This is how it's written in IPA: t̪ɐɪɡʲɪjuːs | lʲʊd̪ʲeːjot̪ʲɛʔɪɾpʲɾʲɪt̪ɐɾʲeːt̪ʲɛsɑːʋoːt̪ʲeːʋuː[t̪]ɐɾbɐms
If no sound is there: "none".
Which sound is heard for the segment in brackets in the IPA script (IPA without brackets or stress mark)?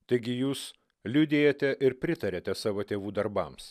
d̪